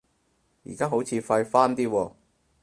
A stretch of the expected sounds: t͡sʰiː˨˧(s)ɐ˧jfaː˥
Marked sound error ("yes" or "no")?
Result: yes